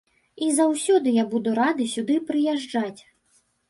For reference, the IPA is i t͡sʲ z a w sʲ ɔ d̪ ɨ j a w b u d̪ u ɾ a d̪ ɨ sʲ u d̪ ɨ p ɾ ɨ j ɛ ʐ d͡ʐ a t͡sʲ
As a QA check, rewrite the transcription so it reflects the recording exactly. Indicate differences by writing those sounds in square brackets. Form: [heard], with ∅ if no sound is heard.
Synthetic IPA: i [∅] z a w sʲ ɔ d̪ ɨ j a [∅] b u d̪ u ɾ a d̪ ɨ sʲ u d̪ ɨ p ɾ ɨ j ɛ ʐ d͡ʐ a t͡sʲ